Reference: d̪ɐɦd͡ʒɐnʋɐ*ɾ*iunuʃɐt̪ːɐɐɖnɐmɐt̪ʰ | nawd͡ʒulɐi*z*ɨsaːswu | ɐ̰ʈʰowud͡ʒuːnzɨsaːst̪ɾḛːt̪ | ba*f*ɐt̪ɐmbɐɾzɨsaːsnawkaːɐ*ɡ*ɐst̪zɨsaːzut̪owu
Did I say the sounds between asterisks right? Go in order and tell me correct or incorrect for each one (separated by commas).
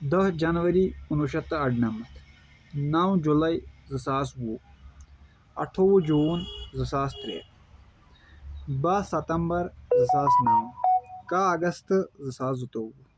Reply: correct, correct, incorrect, correct